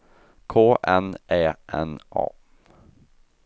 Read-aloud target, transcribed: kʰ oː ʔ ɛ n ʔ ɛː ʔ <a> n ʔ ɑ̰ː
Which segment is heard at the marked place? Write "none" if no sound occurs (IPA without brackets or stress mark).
ɛ